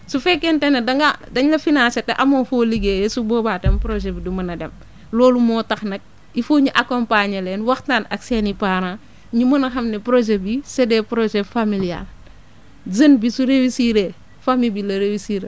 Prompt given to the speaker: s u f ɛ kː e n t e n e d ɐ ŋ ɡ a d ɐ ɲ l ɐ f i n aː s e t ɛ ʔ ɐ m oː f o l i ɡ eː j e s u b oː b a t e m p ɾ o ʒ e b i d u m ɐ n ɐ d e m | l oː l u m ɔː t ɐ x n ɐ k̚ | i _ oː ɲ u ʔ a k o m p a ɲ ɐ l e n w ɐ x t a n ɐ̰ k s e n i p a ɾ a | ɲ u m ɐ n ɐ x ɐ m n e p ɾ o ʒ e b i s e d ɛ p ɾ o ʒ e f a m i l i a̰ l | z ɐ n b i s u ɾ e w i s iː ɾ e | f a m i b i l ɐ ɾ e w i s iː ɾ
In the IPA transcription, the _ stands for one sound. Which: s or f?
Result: f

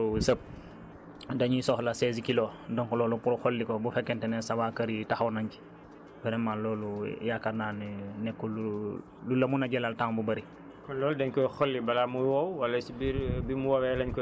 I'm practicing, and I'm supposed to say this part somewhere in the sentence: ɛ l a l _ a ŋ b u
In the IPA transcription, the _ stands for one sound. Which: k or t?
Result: t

